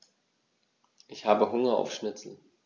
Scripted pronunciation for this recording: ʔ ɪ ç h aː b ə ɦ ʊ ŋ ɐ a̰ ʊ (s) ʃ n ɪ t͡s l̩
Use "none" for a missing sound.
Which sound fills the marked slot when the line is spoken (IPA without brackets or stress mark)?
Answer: f